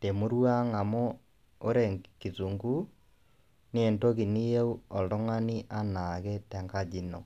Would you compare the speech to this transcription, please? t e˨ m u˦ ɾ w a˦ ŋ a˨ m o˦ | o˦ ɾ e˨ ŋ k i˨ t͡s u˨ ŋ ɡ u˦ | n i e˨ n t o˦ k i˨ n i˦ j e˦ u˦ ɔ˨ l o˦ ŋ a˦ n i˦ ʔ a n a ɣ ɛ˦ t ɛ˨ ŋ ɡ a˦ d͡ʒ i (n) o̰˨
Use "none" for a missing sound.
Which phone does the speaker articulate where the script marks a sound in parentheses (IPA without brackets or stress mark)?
n